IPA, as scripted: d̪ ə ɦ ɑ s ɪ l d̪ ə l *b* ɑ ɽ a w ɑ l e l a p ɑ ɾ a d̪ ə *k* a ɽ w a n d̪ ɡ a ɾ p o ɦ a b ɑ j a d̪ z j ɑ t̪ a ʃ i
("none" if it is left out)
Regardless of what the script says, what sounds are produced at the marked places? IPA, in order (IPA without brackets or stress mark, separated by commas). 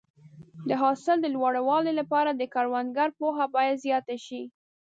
w, k